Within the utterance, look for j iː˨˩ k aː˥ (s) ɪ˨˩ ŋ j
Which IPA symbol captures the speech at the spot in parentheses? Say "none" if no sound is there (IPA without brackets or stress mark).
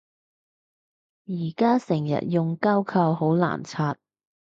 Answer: s